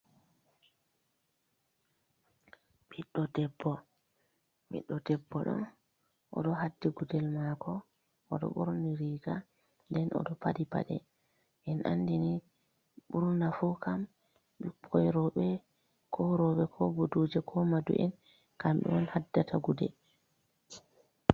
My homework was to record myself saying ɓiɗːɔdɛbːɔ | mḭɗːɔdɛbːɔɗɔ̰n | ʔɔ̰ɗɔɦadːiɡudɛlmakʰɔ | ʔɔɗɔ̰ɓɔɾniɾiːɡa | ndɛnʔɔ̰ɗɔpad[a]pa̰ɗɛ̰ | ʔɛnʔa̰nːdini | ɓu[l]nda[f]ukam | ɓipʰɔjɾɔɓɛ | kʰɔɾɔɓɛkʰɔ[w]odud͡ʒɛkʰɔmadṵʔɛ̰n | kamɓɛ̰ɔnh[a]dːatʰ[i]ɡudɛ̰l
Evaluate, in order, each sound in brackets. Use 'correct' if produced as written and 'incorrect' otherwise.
incorrect, incorrect, correct, incorrect, correct, incorrect

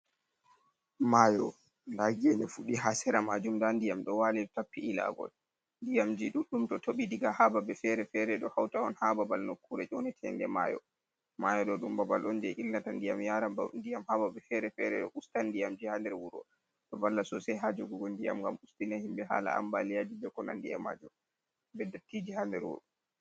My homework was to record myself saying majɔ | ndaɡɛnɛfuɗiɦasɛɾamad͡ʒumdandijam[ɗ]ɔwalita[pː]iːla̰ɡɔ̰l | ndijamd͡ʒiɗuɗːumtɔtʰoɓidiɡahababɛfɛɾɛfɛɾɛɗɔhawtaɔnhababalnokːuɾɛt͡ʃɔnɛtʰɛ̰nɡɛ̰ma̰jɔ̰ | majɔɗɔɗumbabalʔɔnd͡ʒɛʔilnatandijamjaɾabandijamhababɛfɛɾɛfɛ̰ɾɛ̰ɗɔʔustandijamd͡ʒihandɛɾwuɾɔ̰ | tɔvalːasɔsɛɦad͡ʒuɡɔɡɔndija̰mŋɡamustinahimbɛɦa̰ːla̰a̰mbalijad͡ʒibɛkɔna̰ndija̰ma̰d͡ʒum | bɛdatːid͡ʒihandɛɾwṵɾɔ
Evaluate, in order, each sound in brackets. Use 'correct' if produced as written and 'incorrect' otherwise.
correct, correct

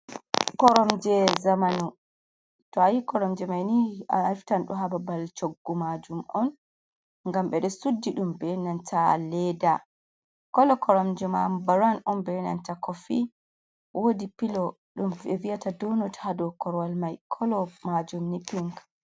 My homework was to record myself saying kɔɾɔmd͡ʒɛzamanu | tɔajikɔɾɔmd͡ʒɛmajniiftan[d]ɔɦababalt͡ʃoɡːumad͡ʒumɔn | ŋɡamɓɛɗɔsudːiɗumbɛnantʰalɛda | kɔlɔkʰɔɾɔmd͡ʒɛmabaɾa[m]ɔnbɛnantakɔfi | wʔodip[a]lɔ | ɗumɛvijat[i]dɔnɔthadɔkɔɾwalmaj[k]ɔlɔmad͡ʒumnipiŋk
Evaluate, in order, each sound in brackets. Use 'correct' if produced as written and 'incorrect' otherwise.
incorrect, incorrect, incorrect, incorrect, incorrect

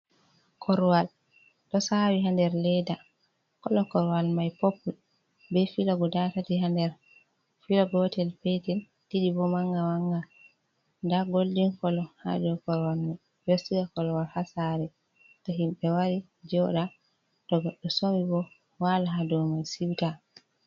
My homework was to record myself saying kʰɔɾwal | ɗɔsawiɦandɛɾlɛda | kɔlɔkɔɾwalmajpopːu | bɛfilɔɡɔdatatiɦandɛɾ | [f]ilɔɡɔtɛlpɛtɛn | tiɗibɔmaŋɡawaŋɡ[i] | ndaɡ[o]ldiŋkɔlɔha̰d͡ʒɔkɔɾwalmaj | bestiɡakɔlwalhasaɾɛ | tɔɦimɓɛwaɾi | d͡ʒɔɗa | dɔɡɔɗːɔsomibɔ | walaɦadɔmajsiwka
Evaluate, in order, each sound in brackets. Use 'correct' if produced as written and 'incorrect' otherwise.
correct, incorrect, correct

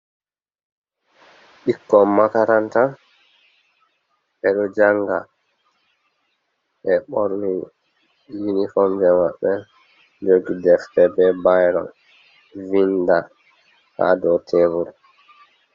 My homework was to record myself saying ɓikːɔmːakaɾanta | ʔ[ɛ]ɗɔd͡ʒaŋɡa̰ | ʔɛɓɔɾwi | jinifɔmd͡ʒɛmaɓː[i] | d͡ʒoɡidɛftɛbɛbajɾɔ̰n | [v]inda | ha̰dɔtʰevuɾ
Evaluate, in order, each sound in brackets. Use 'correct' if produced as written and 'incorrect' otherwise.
correct, incorrect, correct

